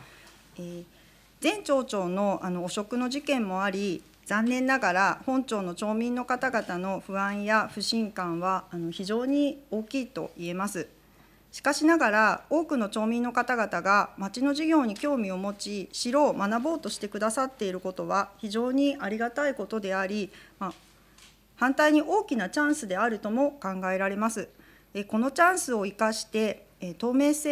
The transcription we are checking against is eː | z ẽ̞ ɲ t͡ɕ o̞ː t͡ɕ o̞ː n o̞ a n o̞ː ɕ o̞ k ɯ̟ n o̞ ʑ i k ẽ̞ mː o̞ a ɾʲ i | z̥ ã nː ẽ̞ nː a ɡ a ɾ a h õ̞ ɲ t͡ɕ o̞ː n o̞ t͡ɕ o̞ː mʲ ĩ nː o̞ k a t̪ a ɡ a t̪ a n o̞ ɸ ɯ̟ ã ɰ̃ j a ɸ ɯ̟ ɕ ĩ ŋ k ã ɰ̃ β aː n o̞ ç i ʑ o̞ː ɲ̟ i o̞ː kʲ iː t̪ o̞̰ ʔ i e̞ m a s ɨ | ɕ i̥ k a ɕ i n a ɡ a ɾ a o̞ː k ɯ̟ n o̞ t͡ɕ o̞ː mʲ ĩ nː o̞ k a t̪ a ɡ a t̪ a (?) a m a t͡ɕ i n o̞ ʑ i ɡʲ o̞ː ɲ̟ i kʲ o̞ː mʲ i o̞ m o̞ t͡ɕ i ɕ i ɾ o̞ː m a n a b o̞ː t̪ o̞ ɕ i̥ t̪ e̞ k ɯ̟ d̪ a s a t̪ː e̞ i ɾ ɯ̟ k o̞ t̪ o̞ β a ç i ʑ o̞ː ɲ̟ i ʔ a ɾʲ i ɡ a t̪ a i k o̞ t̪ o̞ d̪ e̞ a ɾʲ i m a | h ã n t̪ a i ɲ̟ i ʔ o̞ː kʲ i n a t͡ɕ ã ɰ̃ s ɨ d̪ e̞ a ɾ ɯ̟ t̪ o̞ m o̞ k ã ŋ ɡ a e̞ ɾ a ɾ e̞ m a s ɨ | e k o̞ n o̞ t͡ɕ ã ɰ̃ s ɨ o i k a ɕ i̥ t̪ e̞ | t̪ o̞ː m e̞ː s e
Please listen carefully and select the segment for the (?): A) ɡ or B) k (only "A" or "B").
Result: A